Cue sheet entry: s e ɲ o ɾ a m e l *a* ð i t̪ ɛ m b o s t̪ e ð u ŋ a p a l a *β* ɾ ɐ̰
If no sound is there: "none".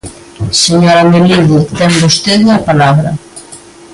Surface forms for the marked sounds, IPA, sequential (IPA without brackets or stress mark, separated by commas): i, β